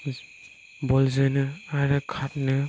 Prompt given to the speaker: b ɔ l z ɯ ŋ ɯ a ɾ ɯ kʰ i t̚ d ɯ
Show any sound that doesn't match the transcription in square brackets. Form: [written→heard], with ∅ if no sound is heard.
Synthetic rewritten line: b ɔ l z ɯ [ŋ→n] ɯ a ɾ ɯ kʰ [i→a] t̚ [d→n] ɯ